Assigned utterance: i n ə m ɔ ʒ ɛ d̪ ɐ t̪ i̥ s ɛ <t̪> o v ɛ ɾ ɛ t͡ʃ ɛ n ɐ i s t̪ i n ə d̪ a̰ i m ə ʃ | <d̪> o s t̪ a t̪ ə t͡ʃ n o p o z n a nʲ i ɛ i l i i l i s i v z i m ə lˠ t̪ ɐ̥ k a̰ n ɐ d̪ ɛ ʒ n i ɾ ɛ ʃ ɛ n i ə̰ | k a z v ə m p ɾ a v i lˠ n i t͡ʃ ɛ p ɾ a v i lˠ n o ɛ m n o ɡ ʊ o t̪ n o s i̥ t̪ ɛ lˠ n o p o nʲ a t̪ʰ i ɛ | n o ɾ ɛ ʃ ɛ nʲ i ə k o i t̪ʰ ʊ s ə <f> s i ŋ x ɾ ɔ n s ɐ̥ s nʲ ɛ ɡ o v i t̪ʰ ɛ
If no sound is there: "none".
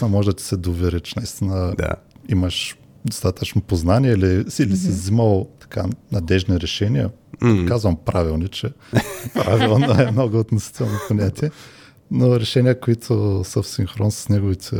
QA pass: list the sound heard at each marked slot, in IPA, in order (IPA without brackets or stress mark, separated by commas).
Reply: d̪, d̪, f